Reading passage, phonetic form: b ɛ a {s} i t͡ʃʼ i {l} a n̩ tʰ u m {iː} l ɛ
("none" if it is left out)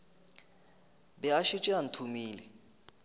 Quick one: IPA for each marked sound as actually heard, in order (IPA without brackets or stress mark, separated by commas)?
ʃ, none, iː